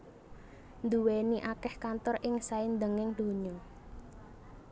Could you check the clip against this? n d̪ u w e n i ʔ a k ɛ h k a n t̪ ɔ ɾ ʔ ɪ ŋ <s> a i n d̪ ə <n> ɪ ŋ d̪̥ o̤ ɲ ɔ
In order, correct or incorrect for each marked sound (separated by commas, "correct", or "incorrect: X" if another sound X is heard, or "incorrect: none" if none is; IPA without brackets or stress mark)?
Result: correct, incorrect: ŋ